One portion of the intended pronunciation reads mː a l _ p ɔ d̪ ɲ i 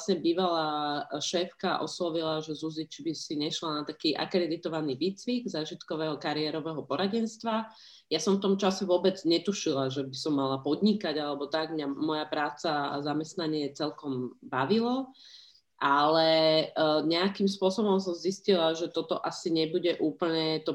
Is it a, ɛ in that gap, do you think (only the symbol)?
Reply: a